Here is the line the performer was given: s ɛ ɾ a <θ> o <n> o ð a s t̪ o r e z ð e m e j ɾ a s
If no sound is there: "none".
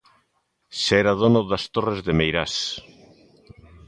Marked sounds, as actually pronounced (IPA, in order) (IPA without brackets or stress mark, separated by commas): ð, n